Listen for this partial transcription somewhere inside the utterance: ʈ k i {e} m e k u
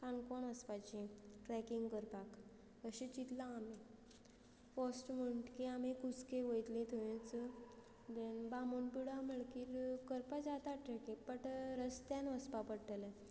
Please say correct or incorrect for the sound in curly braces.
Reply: incorrect